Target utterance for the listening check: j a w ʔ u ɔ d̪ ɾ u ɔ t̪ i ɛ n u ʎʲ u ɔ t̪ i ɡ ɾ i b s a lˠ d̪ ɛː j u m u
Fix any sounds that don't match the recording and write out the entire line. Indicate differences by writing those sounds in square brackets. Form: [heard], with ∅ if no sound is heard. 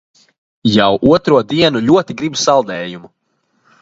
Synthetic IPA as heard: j a w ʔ u ɔ [t̪] ɾ u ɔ [d̪] i ɛ n u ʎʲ u ɔ t̪ i ɡ ɾ i b s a lˠ d̪ ɛː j u m u